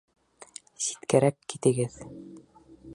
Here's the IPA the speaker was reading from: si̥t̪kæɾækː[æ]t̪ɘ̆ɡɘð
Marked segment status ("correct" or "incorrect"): incorrect